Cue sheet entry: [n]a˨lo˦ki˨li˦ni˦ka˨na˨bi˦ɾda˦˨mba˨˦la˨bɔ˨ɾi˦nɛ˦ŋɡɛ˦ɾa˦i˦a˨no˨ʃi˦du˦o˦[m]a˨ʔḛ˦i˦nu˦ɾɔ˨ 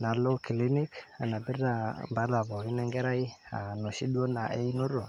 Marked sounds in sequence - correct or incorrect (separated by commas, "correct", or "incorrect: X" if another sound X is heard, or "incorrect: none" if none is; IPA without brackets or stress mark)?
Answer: correct, incorrect: n